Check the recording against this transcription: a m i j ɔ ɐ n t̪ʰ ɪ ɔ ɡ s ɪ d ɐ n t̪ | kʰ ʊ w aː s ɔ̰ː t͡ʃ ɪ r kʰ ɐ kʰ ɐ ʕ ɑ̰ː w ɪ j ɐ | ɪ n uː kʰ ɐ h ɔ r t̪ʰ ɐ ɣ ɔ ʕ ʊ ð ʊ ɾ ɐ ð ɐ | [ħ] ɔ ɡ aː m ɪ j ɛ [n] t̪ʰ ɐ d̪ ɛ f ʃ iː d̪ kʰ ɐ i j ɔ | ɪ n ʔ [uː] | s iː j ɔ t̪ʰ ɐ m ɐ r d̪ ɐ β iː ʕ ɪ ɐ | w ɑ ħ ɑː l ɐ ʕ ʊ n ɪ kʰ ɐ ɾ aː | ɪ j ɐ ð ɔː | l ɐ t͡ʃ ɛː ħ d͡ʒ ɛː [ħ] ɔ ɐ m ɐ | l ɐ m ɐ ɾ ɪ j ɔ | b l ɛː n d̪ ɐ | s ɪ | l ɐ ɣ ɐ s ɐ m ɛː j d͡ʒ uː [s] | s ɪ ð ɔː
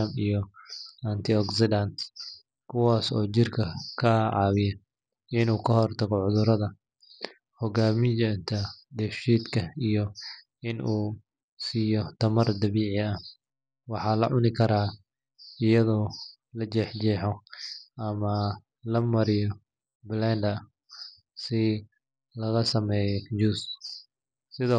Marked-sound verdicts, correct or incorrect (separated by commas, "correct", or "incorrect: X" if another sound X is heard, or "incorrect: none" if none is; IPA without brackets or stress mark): incorrect: h, correct, correct, correct, correct